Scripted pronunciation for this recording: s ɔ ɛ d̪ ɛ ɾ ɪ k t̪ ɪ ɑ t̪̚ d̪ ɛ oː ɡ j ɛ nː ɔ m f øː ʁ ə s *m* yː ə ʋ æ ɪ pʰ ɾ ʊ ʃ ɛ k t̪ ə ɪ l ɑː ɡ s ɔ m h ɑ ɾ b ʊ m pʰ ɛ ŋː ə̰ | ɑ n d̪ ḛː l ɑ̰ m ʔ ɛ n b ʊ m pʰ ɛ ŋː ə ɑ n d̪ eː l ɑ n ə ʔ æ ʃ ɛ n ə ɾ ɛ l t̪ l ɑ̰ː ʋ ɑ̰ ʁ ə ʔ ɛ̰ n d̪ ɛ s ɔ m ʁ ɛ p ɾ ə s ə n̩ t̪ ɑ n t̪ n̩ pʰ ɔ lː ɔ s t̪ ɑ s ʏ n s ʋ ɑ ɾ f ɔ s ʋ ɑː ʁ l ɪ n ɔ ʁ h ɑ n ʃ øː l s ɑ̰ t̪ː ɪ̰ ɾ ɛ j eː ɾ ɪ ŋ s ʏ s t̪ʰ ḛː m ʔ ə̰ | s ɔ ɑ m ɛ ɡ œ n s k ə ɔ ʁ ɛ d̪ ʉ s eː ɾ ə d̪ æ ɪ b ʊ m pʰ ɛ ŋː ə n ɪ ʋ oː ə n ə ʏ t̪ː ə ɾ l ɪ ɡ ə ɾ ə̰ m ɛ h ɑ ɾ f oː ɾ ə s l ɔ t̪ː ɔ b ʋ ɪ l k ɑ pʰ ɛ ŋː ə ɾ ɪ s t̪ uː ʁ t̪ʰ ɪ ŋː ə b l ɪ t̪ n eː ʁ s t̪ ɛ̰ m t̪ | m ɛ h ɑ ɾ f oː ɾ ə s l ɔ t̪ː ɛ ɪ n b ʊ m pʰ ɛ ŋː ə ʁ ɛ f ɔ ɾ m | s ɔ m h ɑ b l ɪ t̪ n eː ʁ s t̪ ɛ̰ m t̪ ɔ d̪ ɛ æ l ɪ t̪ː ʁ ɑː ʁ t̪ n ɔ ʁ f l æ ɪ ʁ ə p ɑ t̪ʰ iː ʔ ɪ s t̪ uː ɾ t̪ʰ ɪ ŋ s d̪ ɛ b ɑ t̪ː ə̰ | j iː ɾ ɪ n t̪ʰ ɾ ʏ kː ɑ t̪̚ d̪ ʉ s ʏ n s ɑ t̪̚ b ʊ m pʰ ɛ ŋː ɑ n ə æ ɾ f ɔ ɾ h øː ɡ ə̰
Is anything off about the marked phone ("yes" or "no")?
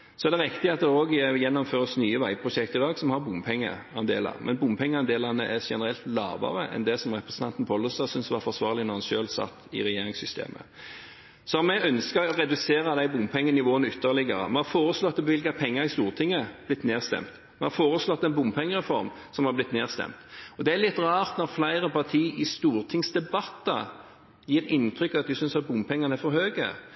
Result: yes